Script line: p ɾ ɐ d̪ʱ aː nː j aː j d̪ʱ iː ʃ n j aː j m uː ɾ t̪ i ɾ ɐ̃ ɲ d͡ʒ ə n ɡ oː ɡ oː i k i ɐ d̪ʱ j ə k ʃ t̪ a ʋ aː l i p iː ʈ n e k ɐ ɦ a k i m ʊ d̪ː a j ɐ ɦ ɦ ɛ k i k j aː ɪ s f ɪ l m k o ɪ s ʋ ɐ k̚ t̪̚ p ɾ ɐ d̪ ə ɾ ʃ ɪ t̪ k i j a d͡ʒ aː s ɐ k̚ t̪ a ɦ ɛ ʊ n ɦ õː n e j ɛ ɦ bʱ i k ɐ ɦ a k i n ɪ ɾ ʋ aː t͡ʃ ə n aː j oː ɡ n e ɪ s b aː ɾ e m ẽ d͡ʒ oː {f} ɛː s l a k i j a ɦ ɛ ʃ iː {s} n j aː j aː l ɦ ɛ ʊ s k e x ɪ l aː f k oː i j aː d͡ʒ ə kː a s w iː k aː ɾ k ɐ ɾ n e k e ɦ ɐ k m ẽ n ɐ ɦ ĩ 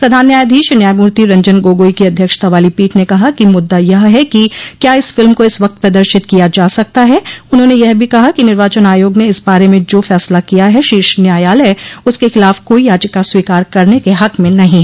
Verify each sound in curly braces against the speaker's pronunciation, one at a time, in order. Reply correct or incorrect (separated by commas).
correct, incorrect